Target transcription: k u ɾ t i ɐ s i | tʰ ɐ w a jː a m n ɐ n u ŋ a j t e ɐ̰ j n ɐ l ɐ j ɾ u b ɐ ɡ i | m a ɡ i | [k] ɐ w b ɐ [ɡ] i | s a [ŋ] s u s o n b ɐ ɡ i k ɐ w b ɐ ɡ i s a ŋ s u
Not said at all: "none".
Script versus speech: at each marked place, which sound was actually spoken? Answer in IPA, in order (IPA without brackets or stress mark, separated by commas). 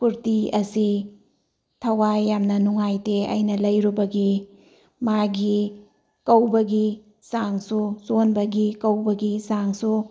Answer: k, ɡ, ŋ